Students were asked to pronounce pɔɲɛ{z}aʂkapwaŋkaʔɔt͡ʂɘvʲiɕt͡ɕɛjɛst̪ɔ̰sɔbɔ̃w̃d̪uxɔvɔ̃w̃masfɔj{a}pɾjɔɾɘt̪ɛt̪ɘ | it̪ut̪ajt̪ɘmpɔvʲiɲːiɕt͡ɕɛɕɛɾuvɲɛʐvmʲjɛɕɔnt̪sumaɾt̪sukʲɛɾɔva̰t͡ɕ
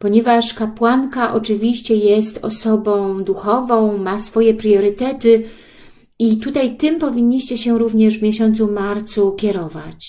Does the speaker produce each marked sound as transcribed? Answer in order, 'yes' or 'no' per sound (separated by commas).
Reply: no, no